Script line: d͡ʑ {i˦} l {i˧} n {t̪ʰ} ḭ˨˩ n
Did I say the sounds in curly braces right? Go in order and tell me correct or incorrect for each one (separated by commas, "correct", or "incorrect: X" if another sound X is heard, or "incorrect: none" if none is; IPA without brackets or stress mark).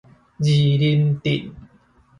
incorrect: i˨˩, correct, incorrect: t̪